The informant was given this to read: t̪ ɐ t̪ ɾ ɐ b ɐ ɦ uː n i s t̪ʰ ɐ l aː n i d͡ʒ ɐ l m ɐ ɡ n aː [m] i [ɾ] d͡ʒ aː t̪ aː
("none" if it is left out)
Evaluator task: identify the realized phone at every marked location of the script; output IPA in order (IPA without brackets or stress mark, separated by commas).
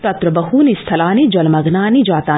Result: n, none